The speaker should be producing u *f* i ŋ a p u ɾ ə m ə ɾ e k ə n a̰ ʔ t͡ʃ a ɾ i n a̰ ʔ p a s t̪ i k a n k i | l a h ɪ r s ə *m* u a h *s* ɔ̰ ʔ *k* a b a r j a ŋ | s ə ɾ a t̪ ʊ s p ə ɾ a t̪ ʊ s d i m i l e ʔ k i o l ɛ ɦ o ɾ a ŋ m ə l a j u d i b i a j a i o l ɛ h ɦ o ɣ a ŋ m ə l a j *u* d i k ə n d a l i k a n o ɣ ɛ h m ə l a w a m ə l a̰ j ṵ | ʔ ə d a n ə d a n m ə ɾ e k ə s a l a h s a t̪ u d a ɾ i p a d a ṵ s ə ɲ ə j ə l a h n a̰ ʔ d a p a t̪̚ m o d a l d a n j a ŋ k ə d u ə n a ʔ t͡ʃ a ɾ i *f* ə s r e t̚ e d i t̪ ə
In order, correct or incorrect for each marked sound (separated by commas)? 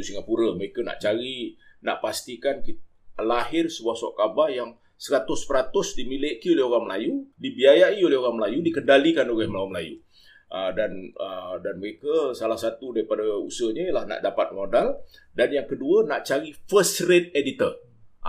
incorrect, incorrect, correct, correct, correct, correct